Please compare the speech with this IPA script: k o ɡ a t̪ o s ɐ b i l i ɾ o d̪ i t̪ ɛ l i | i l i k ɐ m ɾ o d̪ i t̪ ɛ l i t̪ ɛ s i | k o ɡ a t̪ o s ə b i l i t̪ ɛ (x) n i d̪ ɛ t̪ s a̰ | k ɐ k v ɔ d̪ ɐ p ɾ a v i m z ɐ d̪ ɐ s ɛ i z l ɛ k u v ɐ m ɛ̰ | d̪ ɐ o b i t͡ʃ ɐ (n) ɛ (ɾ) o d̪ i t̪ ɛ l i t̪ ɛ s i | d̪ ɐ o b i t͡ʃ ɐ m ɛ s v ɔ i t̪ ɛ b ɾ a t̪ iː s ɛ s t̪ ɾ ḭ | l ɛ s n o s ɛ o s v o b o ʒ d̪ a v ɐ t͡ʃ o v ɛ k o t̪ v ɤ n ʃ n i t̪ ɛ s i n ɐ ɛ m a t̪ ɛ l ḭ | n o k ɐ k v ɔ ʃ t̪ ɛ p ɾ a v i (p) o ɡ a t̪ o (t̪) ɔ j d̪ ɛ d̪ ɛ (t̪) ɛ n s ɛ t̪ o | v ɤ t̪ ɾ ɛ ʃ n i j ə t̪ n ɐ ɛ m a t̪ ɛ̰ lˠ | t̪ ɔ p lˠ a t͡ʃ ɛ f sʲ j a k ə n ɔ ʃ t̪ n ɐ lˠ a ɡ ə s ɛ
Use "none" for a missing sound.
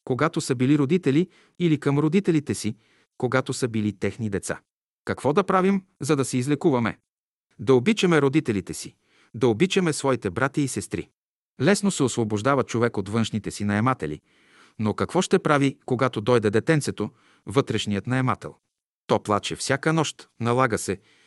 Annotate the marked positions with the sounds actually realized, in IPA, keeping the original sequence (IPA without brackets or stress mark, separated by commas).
x, m, ɾ, k, d̪, t̪